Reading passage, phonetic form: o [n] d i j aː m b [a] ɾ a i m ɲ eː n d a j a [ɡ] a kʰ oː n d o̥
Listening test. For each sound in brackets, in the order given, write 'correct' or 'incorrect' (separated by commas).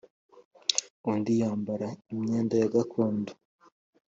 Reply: correct, correct, correct